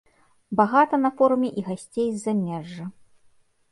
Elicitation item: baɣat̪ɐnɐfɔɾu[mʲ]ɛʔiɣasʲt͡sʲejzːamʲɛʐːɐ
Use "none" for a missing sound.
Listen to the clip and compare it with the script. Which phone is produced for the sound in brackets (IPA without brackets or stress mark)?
mʲ